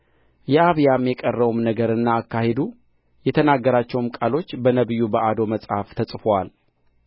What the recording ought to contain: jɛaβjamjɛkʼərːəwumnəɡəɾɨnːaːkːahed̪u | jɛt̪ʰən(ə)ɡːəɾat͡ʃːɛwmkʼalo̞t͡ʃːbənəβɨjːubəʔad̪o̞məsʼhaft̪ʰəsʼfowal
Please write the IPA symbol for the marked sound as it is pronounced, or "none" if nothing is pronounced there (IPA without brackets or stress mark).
a